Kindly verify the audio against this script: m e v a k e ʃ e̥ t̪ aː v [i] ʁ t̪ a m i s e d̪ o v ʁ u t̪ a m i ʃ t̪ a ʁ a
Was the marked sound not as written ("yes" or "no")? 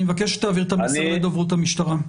no